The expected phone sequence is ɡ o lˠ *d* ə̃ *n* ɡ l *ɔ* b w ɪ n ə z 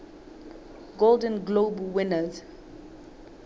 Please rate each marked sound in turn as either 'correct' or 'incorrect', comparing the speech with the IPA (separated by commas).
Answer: correct, correct, incorrect